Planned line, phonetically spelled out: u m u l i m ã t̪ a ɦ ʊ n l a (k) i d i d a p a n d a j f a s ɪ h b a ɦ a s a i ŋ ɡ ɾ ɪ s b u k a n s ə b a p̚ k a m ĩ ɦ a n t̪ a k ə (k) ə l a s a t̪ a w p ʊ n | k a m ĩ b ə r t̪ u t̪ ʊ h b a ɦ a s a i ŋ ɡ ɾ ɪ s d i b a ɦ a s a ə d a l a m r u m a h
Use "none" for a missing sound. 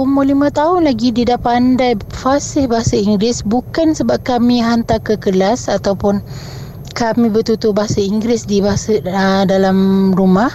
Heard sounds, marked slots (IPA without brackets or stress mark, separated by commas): ɡ, k